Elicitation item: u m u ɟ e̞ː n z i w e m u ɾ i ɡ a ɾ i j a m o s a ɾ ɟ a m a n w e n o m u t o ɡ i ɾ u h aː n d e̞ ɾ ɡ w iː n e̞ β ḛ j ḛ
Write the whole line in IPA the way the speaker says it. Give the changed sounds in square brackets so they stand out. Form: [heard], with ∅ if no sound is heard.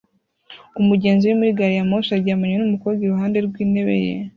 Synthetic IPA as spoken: u m u ɟ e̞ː n z i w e m u ɾ i ɡ a ɾ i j a m o s a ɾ ɟ a m a [ɲ] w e n [u] m u [k] o ɡ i ɾ u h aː n d e̞ ɾ ɡ w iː n e̞ β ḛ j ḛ